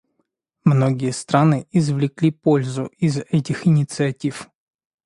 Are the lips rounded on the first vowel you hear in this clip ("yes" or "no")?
yes